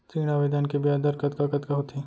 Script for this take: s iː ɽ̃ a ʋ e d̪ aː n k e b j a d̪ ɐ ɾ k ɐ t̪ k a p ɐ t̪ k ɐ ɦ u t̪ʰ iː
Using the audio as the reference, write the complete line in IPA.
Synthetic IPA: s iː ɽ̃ a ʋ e d̪ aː n k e b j a d̪ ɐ ɾ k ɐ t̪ k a k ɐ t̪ k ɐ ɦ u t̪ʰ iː